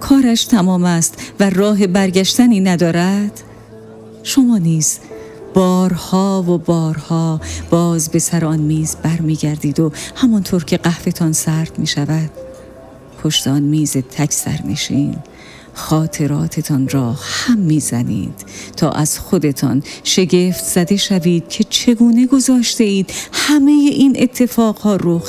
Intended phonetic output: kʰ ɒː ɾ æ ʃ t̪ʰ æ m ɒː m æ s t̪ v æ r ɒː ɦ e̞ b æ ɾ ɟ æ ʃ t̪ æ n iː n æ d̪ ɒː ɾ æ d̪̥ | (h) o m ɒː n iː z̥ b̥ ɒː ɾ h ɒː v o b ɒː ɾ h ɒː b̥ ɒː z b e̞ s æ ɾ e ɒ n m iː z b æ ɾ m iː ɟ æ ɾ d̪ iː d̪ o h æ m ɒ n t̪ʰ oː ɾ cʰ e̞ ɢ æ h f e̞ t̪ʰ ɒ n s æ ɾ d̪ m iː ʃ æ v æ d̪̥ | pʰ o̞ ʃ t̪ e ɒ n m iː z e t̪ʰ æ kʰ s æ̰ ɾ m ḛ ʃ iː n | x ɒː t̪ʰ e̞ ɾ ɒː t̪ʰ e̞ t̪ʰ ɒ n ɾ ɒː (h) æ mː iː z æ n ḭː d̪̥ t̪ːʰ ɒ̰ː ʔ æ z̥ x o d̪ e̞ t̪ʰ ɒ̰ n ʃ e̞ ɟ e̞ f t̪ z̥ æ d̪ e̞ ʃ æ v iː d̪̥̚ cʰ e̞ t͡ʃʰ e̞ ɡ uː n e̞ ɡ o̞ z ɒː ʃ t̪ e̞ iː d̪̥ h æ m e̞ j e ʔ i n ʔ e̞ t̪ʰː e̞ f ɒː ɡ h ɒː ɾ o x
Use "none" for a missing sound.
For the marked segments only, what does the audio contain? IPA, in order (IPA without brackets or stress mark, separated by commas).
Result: ʃ, h